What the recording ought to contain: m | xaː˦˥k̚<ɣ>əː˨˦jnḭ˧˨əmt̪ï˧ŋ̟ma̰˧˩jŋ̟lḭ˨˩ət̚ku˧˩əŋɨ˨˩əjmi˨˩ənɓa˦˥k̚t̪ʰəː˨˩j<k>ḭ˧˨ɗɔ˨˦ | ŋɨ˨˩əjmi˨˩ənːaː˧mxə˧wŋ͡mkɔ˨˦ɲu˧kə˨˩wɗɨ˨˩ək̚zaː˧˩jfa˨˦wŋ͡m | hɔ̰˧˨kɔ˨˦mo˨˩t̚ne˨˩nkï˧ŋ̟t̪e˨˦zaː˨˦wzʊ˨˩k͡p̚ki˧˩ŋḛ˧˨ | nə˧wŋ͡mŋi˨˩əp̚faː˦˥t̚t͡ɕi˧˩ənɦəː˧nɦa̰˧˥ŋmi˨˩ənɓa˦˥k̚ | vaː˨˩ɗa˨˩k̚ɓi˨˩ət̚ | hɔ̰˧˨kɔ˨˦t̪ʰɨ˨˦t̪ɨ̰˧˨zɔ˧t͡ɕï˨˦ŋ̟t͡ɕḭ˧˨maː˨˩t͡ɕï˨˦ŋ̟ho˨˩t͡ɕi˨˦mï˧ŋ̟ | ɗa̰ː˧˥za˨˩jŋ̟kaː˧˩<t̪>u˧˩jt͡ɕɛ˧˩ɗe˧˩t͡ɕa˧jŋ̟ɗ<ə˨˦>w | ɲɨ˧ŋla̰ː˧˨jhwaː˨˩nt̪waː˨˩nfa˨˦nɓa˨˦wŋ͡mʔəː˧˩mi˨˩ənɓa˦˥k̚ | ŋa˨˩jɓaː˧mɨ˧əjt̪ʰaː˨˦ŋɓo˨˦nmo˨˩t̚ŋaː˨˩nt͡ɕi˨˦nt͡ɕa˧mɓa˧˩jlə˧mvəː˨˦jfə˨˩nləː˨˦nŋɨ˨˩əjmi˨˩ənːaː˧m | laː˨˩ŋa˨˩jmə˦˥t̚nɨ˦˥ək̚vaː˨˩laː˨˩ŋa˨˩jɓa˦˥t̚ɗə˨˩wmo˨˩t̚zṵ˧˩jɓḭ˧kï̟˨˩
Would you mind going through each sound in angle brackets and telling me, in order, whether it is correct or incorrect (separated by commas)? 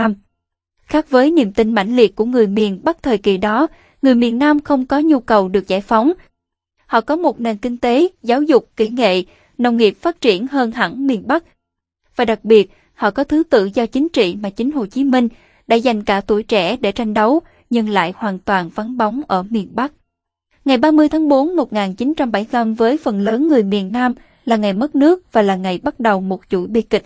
incorrect, correct, correct, correct